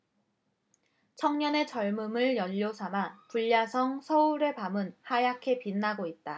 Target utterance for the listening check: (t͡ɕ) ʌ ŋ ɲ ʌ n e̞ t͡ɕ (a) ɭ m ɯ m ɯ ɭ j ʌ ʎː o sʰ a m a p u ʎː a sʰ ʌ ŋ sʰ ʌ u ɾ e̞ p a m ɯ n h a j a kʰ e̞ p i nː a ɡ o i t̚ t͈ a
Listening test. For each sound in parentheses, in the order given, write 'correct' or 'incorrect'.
incorrect, incorrect

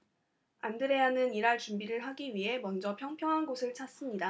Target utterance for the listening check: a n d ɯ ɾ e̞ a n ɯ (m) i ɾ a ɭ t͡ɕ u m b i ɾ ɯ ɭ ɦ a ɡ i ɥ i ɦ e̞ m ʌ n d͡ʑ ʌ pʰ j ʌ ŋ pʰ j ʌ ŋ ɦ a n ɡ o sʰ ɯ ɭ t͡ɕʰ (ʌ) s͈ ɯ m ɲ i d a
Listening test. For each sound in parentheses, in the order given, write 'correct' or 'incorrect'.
incorrect, incorrect

